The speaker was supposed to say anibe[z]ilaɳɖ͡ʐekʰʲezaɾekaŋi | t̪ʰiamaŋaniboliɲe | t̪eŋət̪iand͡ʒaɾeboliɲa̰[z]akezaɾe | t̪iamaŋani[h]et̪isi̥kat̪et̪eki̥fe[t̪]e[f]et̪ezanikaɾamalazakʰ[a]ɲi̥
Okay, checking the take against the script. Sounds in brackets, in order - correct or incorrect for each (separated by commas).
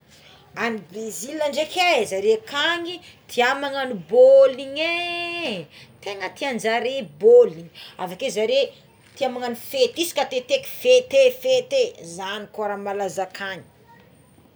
correct, incorrect, incorrect, correct, correct, correct